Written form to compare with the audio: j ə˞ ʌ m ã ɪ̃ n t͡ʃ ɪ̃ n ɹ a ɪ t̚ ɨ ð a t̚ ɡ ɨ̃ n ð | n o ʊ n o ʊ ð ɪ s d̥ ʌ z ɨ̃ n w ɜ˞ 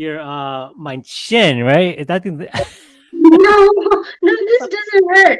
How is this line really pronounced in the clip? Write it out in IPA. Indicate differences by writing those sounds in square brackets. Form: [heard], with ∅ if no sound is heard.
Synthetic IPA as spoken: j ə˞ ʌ m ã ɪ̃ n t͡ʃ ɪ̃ n ɹ a ɪ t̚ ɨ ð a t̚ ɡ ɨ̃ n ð | n o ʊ n o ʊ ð ɪ s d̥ ʌ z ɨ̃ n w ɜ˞